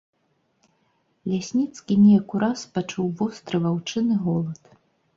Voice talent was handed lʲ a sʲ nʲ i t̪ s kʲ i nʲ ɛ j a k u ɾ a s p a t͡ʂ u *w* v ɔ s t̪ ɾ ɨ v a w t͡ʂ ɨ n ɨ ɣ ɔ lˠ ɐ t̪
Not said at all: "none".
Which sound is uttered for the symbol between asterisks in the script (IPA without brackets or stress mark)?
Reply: w